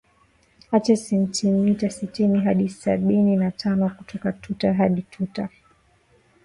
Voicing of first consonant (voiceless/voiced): voiceless